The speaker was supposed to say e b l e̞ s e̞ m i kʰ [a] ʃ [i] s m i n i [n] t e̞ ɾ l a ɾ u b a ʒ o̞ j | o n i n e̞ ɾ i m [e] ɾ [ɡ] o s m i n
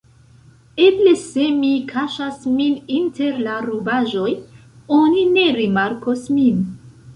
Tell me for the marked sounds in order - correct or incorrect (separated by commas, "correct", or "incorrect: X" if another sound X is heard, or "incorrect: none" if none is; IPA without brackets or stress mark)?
correct, incorrect: a, correct, incorrect: a, incorrect: k